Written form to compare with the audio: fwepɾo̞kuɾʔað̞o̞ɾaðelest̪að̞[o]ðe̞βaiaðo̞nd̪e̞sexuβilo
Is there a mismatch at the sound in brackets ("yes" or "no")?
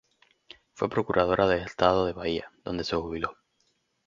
no